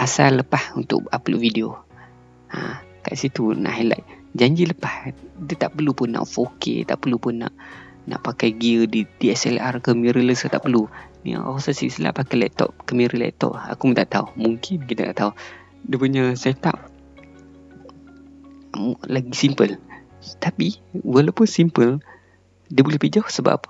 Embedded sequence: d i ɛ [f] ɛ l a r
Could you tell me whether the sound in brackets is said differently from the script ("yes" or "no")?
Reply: yes